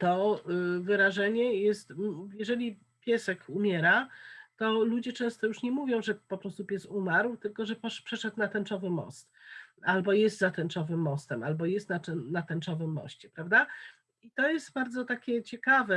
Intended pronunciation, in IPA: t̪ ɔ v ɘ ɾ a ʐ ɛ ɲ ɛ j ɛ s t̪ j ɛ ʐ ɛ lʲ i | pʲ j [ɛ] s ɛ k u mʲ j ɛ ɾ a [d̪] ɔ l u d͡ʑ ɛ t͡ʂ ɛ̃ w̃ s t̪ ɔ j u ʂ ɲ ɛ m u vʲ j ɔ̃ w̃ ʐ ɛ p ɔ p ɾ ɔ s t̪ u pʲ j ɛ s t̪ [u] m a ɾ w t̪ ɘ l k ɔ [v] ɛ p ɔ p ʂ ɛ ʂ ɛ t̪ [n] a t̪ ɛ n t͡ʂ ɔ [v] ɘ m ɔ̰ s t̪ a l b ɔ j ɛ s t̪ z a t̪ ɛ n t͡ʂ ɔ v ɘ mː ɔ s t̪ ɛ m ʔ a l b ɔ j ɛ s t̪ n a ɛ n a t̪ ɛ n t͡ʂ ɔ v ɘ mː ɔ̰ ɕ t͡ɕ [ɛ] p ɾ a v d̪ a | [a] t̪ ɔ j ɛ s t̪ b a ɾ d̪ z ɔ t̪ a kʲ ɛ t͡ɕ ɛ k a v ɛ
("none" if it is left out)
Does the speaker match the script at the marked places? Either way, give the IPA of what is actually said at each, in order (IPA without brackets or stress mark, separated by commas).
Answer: ɛ, t̪, u, ʐ, n, v, ɛ, i